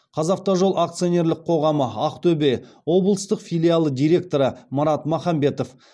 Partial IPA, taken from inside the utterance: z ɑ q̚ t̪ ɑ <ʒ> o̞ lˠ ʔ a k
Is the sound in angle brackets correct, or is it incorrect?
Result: correct